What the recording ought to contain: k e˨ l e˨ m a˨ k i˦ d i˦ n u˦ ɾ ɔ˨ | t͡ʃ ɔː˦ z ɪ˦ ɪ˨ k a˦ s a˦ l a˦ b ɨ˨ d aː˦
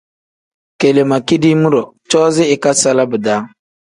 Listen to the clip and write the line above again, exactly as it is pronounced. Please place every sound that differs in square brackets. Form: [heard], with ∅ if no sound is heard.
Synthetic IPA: k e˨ l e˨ m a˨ k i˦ d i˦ [m] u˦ ɾ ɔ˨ | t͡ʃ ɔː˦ z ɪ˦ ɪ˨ k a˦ s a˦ l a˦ b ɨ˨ d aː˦